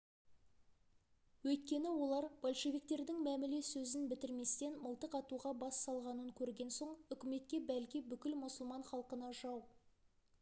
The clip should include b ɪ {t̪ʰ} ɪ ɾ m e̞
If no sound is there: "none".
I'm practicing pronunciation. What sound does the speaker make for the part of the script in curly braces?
t̪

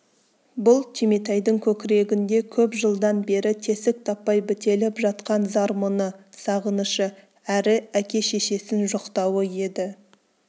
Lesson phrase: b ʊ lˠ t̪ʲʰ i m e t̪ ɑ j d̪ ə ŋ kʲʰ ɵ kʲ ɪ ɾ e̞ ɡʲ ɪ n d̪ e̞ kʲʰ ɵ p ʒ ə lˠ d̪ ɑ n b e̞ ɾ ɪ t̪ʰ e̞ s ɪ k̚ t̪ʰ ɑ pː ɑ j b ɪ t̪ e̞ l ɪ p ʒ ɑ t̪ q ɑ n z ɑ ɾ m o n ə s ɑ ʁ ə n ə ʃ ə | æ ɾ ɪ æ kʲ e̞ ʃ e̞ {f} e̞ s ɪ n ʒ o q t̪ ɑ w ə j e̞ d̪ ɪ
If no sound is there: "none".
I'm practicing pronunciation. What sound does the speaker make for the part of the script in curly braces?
ʃ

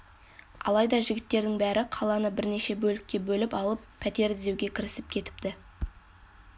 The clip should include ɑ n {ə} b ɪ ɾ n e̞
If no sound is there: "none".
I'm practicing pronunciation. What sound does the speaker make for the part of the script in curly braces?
ə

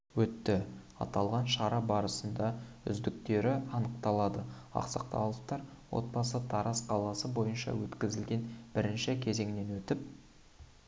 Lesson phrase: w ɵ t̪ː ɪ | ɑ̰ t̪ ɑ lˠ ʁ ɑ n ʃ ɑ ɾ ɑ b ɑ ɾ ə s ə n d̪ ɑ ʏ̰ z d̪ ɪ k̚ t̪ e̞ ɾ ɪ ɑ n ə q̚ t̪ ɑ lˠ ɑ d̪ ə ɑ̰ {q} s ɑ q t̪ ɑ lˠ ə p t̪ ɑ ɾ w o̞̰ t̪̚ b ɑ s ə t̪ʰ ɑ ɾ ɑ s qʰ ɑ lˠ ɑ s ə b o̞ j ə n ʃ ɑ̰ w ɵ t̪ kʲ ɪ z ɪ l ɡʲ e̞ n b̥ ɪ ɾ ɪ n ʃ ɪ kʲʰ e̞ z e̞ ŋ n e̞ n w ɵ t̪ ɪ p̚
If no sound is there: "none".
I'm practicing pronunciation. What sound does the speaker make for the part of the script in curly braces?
q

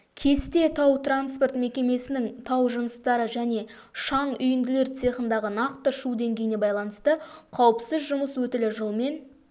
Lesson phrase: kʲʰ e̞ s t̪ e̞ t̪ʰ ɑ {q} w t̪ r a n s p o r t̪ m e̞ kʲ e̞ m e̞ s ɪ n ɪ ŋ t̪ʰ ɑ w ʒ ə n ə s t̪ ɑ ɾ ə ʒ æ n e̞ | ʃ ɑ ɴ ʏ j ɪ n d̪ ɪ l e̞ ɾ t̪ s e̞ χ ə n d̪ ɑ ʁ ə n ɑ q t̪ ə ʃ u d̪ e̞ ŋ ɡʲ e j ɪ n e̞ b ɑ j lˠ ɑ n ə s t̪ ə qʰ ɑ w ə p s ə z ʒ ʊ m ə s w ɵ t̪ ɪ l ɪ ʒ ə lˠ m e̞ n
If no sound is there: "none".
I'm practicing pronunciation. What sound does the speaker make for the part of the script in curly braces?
none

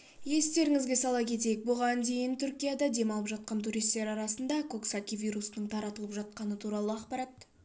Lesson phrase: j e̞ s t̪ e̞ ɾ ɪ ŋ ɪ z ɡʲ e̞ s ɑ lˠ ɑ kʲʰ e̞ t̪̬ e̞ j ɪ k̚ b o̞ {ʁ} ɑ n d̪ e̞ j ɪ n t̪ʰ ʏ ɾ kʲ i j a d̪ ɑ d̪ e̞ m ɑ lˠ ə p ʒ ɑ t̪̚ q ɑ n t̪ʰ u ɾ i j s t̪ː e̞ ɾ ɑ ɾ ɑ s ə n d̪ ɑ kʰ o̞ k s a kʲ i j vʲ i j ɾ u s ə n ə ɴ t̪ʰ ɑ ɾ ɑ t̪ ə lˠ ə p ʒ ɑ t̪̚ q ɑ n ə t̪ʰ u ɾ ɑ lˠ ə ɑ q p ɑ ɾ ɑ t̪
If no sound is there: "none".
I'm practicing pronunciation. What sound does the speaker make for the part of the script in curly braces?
ʁ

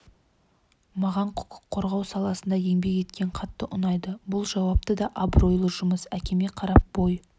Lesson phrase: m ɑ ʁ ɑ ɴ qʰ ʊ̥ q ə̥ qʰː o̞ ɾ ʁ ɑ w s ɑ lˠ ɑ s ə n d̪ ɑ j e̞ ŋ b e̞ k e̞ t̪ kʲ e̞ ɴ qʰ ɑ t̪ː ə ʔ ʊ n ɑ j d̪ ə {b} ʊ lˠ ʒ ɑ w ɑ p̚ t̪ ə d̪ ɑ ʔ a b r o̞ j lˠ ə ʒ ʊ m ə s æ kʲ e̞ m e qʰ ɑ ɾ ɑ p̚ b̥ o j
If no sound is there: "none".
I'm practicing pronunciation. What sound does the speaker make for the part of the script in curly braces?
b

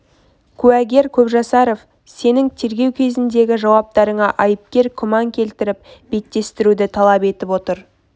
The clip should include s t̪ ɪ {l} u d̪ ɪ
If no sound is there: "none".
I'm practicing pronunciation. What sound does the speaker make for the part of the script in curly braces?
ɾ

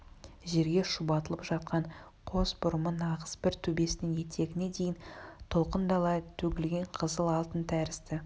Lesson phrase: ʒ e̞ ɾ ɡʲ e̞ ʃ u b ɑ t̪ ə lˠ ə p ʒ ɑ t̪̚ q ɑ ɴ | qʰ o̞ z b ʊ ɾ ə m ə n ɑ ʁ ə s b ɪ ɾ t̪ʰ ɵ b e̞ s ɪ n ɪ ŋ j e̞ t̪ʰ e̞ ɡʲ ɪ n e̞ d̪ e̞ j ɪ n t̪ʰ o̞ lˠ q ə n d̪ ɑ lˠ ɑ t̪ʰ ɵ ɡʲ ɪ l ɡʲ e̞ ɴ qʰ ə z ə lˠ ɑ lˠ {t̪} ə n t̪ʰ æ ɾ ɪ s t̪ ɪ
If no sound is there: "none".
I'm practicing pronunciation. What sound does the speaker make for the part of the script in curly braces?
t̪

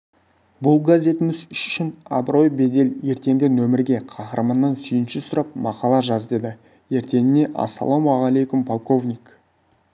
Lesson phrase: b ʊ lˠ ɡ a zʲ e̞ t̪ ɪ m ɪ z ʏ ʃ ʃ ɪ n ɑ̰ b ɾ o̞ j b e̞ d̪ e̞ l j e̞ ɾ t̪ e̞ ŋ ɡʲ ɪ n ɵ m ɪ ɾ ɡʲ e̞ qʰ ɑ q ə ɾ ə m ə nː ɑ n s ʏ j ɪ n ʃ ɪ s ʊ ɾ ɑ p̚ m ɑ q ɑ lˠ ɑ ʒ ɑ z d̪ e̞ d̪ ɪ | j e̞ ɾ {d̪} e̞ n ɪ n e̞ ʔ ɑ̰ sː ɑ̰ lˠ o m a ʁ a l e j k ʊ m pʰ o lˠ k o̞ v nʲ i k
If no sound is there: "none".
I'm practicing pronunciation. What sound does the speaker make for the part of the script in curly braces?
t̪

